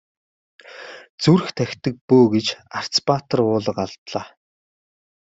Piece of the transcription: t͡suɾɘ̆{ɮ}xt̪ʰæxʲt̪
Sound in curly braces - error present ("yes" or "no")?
yes